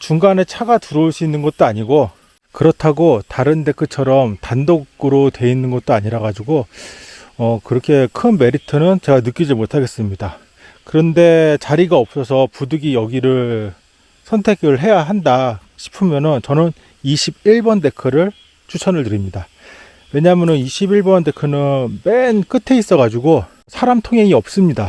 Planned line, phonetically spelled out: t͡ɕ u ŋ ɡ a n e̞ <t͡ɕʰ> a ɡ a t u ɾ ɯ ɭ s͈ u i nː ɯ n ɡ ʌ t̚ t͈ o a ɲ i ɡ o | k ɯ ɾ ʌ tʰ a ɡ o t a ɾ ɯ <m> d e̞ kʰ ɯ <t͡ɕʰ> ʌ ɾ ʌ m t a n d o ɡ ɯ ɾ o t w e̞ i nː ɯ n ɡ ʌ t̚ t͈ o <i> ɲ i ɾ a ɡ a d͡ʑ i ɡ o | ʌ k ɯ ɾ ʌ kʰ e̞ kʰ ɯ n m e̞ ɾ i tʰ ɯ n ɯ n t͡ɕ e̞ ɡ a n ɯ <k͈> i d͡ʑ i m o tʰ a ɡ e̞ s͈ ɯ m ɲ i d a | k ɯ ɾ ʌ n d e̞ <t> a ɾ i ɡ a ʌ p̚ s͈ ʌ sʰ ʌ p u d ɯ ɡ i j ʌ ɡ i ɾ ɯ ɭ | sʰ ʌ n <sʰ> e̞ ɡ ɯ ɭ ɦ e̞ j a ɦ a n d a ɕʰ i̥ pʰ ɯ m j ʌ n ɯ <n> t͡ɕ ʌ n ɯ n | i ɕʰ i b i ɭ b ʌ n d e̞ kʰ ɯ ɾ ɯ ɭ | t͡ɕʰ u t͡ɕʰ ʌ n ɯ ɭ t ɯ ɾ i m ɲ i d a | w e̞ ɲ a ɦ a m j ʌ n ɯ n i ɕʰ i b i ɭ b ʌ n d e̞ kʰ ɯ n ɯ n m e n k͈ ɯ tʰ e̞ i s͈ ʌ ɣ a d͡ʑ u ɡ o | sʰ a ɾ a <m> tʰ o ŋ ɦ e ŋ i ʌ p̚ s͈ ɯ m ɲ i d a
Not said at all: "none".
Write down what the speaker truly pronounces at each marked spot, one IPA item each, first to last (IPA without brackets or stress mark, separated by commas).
t͡ɕʰ, n, t͡ɕʰ, a, k͈, t͡ɕ, tʰ, n, m